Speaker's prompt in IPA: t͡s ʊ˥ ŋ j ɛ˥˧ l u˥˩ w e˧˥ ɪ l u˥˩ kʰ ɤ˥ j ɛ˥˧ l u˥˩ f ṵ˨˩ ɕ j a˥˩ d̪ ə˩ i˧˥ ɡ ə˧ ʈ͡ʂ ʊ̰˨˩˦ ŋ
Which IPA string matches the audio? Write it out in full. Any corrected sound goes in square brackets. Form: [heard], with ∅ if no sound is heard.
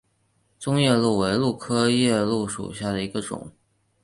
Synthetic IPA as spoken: t͡s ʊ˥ ŋ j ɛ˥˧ l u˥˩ w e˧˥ ɪ l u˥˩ kʰ ɤ˥ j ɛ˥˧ l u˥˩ [ʂ] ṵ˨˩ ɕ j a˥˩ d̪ ə˩ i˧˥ ɡ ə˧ ʈ͡ʂ ʊ̰˨˩˦ ŋ